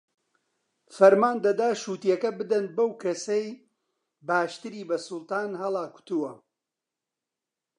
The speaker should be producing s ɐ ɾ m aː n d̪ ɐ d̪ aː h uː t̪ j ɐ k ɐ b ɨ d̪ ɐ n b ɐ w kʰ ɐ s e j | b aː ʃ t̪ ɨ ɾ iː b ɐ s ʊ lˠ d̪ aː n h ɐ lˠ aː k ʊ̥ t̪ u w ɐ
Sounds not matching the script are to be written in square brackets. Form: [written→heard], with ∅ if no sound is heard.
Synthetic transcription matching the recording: [s→f] ɐ ɾ m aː n d̪ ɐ d̪ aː [h→ʃ] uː t̪ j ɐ k ɐ b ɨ d̪ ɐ n b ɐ w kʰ ɐ s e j | b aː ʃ t̪ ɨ ɾ iː b ɐ s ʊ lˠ [d̪→t̪] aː n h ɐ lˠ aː k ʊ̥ t̪ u w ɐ